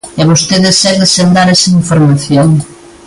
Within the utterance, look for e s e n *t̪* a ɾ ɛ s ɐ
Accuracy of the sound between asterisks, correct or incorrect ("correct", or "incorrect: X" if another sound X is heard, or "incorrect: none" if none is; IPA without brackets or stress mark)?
incorrect: d̪